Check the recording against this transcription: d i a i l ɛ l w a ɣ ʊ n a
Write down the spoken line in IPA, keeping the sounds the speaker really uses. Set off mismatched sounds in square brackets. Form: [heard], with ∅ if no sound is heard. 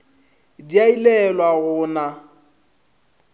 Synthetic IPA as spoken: d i a i l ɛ l w a ɣ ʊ n a

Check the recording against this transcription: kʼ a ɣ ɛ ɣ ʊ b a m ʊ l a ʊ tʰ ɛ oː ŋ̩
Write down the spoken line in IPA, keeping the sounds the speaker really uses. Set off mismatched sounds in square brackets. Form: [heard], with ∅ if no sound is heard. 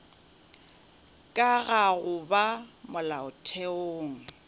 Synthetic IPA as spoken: kʼ a ɣ [a] ɣ ʊ b a m ʊ l a ʊ tʰ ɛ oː ŋ̩

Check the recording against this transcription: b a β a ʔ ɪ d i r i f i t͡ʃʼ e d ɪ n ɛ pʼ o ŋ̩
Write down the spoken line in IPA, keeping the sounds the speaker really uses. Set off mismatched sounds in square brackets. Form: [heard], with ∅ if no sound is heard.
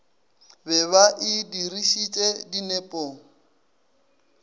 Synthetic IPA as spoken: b [ɛ] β a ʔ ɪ d i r i [ʃ] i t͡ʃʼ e d [i] n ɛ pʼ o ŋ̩

